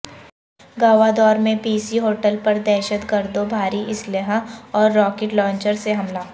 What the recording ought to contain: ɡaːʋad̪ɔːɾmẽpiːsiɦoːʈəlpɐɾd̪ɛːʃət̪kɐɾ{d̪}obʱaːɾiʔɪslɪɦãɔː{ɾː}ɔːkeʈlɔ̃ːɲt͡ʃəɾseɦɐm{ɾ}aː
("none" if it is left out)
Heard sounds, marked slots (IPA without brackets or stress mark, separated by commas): d̪, ɾː, l